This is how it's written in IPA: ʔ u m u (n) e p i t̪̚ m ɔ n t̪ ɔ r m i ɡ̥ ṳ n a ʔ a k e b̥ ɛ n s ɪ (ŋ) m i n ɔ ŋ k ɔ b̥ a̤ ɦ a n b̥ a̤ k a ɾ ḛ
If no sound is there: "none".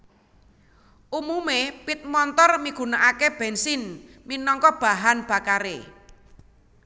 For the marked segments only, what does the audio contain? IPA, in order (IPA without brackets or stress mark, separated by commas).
m, n